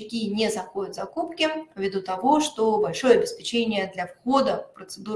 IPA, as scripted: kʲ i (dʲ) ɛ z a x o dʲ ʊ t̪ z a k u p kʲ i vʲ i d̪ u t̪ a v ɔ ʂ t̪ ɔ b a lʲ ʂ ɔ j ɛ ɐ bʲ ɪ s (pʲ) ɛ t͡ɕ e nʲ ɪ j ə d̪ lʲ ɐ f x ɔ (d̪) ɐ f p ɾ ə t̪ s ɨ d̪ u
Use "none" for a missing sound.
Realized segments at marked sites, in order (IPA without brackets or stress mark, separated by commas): nʲ, pʲ, d̪